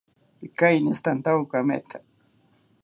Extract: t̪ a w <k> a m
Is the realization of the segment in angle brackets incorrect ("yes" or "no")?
no